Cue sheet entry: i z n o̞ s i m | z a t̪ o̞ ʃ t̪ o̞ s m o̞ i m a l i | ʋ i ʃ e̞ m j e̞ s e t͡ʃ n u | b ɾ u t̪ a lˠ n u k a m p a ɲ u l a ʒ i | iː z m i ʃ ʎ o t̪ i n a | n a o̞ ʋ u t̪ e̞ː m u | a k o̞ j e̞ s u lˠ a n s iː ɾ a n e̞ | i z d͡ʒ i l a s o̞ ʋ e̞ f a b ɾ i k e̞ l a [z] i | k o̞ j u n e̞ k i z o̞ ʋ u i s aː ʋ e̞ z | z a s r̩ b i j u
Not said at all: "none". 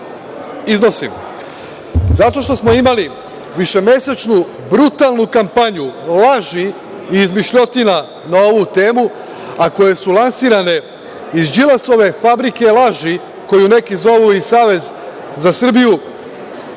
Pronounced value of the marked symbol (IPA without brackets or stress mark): ʒ